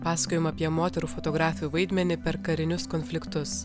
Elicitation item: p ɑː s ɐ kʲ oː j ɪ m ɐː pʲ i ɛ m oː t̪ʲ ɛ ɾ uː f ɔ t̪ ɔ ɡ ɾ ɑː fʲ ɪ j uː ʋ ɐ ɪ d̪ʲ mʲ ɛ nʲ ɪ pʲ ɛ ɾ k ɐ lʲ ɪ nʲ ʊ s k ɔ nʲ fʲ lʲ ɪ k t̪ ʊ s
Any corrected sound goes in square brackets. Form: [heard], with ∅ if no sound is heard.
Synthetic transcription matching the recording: p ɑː s ɐ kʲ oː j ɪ m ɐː pʲ i ɛ m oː t̪ʲ ɛ ɾ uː f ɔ t̪ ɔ ɡ ɾ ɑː fʲ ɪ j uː ʋ ɐ ɪ d̪ʲ mʲ ɛ nʲ ɪ pʲ ɛ ɾ k ɐ [ɾʲ] ɪ nʲ ʊ s k ɔ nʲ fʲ lʲ ɪ k t̪ ʊ s